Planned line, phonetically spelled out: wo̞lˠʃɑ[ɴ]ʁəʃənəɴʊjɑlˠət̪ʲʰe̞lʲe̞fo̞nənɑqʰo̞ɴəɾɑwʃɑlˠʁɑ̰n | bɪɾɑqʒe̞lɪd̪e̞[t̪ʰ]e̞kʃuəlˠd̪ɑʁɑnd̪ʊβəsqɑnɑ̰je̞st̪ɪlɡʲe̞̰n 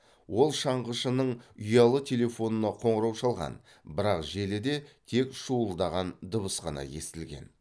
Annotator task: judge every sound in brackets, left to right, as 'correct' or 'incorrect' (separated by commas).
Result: correct, correct